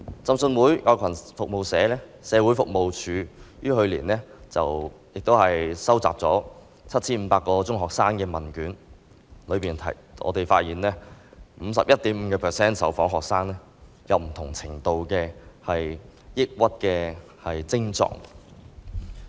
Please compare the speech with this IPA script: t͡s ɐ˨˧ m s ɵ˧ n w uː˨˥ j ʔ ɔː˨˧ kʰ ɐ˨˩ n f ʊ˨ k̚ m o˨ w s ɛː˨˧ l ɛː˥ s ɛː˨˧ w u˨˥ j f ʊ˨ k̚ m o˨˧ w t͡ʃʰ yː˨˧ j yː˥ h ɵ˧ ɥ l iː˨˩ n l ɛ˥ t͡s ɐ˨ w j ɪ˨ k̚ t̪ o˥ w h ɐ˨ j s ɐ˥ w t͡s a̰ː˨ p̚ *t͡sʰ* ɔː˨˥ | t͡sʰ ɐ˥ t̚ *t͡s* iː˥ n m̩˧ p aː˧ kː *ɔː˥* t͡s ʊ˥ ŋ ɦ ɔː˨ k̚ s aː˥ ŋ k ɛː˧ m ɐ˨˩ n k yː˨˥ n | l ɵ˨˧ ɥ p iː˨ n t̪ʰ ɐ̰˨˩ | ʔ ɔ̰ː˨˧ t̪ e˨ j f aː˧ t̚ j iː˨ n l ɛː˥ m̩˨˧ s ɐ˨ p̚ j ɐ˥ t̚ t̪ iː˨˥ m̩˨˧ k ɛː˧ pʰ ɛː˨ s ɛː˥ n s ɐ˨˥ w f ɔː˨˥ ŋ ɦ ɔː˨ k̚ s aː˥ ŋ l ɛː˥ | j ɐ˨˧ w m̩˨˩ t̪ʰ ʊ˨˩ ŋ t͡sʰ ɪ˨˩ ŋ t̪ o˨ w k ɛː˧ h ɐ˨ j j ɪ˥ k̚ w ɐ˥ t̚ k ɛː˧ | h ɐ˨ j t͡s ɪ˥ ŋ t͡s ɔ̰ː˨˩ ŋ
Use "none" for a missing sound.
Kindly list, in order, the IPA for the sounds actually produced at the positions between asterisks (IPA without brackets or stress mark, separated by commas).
t͡s, t͡sʰ, ɔː˧